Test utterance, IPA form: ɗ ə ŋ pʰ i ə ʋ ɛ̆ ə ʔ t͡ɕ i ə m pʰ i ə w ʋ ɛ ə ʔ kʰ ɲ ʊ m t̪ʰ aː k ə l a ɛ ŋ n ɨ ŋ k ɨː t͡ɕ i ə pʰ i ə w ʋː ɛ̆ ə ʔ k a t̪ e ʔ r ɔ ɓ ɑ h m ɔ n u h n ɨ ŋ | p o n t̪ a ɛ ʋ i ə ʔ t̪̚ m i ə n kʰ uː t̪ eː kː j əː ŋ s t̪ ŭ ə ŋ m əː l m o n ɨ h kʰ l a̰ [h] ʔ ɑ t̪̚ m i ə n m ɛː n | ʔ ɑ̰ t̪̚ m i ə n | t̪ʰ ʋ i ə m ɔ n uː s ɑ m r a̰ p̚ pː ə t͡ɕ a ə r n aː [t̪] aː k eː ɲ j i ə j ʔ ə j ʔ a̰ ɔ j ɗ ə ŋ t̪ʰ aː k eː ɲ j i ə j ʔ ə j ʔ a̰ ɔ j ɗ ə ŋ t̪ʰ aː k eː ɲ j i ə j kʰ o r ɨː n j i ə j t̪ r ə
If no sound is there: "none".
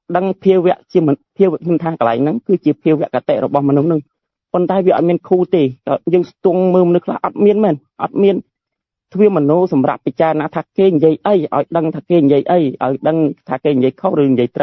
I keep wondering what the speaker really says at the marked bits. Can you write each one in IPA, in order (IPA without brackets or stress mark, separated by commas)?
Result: h, t̪ʰ